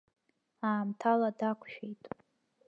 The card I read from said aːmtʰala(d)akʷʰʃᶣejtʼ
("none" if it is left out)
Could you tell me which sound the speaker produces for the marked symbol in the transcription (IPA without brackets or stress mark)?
d